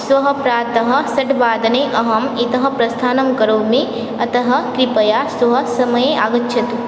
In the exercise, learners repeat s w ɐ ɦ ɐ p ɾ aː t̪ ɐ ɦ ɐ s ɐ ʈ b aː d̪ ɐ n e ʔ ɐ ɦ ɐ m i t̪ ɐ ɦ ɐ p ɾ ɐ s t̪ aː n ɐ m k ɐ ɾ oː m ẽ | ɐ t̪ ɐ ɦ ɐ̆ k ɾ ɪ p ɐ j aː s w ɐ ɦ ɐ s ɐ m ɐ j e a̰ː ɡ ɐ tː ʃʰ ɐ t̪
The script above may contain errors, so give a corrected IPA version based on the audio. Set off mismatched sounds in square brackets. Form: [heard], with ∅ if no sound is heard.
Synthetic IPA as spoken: s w ɐ ɦ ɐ p ɾ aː t̪ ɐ ɦ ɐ s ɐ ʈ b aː d̪ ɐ n e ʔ ɐ ɦ ɐ m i t̪ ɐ ɦ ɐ p ɾ ɐ s [t̪ʰ] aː n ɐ m k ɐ ɾ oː m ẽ | ɐ t̪ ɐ ɦ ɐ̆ k ɾ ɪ p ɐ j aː s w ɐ ɦ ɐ s ɐ m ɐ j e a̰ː ɡ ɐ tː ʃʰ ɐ t̪